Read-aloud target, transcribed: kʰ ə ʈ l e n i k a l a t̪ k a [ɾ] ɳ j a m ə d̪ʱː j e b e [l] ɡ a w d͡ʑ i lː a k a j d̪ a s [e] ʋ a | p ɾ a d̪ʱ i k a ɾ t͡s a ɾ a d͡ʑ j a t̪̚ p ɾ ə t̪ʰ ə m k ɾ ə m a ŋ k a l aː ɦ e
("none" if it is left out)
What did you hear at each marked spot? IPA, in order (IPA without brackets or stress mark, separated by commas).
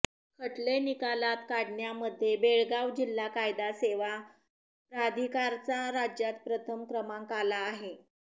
ɽ, ɭ, e